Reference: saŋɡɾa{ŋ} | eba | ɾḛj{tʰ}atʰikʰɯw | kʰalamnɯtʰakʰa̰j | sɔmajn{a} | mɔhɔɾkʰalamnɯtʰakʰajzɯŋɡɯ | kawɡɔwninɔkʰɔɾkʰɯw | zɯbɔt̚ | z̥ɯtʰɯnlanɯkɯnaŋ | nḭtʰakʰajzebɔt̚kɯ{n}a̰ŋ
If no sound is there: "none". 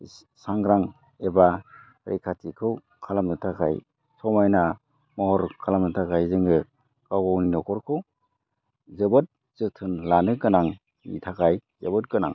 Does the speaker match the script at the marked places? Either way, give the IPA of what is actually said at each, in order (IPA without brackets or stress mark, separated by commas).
ŋ, kʰ, a, n